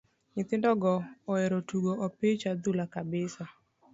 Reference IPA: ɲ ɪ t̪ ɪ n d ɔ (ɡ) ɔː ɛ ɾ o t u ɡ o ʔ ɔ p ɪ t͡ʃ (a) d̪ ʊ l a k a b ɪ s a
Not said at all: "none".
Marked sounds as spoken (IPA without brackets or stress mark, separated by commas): ɡ, a